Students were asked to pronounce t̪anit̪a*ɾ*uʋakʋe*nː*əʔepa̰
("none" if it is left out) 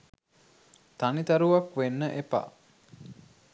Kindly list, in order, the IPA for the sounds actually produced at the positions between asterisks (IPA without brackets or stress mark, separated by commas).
ɾ, nː